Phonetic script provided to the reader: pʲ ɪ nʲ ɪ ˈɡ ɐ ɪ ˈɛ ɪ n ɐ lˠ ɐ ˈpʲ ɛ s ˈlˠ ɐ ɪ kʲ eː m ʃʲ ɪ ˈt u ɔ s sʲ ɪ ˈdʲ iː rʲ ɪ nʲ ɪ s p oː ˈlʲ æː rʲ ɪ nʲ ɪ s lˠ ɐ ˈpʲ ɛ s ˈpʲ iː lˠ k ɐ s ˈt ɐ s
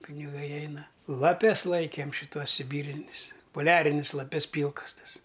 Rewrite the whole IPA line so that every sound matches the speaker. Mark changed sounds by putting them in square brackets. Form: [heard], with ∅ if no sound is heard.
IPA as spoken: pʲ ɪ nʲ ɪ ˈɡ ɐ ɪ ˈɛ ɪ n ɐ lˠ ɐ ˈpʲ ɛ s ˈlˠ ɐ ɪ kʲ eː m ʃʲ ɪ ˈt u ɔ s sʲ ɪ [ˈbʲ] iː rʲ ɪ nʲ ɪ s p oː ˈlʲ æː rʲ ɪ nʲ ɪ s lˠ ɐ ˈpʲ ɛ s ˈpʲ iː lˠ k ɐ s ˈt ɐ s